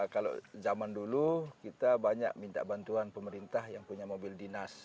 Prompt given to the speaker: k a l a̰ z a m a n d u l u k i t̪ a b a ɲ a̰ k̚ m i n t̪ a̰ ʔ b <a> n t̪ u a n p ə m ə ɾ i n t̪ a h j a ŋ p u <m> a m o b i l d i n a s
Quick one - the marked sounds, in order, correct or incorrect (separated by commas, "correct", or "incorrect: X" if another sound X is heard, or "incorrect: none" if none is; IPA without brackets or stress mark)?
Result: correct, incorrect: ɲ